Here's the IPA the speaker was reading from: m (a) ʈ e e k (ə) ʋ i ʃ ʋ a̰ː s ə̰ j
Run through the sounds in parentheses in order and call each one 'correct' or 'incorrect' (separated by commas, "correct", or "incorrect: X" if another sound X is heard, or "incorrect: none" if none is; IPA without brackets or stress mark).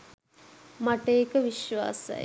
correct, correct